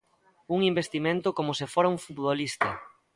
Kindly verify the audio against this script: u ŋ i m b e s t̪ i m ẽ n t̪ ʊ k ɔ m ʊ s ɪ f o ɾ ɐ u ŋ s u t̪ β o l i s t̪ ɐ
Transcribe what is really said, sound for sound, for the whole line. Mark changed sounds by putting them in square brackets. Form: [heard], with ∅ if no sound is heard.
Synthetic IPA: u ŋ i m b e s t̪ i m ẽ n t̪ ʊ k [o] m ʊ s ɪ f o ɾ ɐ u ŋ [f] u t̪ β o l i s t̪ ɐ